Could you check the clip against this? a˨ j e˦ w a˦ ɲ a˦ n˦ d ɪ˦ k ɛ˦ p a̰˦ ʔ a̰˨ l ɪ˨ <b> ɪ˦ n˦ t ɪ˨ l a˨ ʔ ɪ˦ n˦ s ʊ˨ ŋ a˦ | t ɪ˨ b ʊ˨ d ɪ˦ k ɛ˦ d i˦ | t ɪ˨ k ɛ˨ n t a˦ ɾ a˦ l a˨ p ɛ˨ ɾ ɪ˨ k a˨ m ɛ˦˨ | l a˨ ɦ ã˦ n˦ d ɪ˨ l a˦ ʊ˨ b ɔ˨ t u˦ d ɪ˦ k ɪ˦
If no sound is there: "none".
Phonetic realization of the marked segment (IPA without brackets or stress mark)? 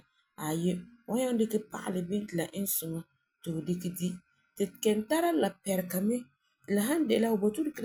b